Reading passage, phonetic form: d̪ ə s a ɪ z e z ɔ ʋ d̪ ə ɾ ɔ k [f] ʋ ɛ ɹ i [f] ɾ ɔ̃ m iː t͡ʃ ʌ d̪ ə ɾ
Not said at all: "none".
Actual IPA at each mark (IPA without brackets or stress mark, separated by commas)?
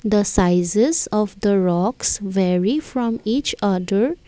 s, f